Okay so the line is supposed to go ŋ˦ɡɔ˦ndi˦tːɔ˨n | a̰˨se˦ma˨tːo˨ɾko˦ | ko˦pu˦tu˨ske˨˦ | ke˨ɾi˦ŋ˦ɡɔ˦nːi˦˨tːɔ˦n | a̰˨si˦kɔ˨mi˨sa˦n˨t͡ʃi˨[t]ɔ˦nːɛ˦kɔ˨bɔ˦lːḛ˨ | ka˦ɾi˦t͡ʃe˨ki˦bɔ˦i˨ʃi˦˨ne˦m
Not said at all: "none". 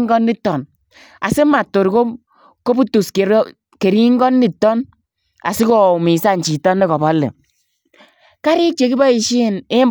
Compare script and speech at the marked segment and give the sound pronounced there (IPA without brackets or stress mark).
t